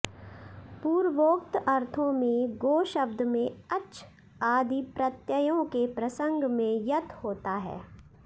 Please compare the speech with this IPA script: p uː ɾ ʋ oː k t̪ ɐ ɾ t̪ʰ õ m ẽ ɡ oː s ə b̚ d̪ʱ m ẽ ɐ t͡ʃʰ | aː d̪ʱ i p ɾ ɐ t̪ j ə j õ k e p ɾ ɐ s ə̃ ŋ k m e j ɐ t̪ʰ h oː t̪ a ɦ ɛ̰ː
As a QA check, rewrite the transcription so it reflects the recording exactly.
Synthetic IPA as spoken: p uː ɾ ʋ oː k t̪ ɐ ɾ t̪ʰ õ m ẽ ɡ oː ʃ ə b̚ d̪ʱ m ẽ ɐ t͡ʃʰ | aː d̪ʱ i p ɾ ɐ t̪ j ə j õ k e p ɾ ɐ s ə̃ ŋ ɡ m ẽ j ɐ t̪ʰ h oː t̪ a ɦ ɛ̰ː